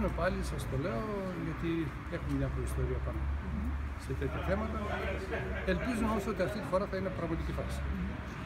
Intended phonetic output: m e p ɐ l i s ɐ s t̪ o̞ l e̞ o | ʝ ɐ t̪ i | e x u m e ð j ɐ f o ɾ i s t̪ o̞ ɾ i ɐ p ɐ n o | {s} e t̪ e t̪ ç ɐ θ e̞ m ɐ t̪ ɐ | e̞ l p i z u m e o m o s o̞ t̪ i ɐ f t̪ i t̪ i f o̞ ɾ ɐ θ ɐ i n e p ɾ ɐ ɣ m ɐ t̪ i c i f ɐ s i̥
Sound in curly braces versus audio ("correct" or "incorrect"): correct